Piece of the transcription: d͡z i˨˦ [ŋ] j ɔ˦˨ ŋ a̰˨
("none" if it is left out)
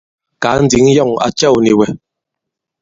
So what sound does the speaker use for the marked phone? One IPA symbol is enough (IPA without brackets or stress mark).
ŋ